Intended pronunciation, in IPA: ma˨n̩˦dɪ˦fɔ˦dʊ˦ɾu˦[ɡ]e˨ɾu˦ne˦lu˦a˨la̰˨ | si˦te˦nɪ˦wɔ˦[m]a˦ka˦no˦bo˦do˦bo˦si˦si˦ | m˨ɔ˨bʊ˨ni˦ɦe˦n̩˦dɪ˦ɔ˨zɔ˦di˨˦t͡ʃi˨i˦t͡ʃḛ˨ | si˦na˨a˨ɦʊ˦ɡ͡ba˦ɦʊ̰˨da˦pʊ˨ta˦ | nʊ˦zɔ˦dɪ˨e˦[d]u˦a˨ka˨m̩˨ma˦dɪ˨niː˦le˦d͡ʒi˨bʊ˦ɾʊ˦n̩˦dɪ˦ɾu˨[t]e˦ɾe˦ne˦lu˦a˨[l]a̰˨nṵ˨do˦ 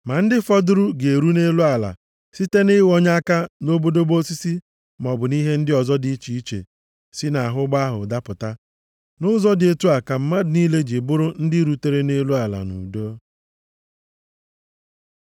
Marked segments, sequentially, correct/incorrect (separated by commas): correct, incorrect, incorrect, correct, correct